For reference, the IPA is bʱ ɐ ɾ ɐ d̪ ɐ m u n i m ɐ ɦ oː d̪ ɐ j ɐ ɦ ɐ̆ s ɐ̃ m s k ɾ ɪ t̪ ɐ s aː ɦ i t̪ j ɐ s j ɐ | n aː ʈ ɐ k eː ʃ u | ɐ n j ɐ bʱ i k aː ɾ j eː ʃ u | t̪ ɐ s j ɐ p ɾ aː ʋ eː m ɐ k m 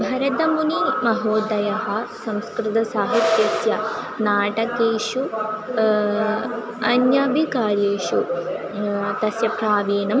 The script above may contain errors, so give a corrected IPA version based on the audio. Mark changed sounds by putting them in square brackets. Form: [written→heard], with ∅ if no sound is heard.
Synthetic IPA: bʱ ɐ ɾ ɐ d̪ ɐ m u n i m ɐ ɦ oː d̪ ɐ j ɐ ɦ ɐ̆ s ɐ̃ m s k ɾ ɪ t̪ ɐ s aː ɦ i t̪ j ɐ s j ɐ | n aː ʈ ɐ k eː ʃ u | ɐ n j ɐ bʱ i k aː ɾ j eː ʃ u | t̪ ɐ s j ɐ p ɾ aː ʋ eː [m→n] ɐ [k→∅] m